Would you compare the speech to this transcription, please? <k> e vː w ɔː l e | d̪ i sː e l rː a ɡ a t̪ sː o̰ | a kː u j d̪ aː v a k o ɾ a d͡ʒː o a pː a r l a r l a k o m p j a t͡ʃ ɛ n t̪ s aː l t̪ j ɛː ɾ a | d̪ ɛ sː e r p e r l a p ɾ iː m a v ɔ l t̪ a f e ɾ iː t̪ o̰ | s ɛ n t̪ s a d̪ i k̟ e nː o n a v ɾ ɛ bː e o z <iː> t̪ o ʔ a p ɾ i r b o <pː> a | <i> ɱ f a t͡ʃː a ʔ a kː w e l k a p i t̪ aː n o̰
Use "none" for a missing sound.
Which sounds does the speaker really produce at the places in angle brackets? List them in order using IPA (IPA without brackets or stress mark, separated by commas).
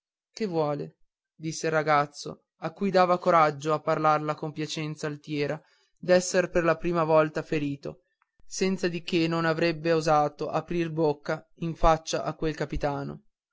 k, aː, kː, i